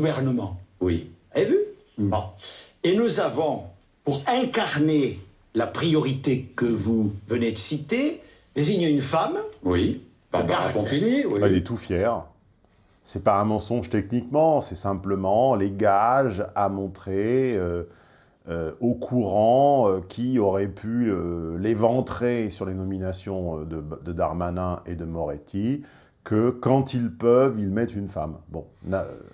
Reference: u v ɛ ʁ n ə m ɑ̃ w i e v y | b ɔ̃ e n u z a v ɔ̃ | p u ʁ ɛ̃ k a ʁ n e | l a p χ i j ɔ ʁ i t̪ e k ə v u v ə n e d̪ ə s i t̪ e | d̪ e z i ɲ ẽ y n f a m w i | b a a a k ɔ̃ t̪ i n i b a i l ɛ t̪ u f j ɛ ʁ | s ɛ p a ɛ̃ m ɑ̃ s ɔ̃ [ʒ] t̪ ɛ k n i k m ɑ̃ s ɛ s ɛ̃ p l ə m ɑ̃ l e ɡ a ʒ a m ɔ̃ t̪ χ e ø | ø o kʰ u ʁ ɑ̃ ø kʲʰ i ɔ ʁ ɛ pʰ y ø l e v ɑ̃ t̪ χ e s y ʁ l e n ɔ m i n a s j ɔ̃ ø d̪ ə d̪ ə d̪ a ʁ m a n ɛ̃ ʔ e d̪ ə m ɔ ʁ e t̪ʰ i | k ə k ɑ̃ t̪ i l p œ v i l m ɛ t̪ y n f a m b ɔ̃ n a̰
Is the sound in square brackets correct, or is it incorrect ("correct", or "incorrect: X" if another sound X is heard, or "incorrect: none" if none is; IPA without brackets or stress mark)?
correct